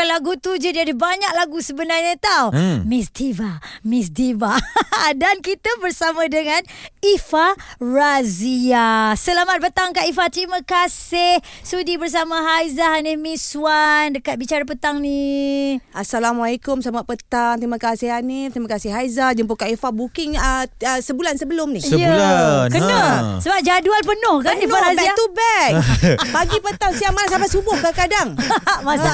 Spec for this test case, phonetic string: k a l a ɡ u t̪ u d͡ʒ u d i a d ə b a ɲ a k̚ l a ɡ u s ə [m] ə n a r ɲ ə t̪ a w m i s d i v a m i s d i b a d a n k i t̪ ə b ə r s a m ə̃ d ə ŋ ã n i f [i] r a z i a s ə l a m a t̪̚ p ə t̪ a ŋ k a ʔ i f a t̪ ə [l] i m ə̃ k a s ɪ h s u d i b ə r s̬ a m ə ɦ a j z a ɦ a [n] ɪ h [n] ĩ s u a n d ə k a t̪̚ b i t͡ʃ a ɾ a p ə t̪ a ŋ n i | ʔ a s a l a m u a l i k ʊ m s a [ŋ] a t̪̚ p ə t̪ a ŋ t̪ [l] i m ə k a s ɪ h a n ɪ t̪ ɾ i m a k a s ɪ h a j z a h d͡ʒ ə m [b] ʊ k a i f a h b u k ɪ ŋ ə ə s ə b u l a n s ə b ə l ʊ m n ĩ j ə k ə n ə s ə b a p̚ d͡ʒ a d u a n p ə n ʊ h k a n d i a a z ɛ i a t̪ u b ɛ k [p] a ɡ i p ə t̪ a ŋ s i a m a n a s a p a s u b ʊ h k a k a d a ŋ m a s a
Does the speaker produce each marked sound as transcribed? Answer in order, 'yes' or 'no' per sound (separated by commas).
no, no, no, yes, no, no, no, no, yes